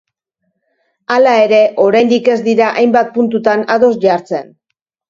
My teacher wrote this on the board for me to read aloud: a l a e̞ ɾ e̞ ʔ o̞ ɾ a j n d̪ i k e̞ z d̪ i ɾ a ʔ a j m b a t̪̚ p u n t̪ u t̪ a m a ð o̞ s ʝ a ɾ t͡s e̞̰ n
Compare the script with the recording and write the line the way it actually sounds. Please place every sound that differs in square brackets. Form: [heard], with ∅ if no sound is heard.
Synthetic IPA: a l a e̞ ɾ e̞ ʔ o̞ ɾ a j n d̪ i k e̞ z d̪ i ɾ a ʔ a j m b a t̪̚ p u n t̪ u t̪ a [n] a ð o̞ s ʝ a ɾ t͡s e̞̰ n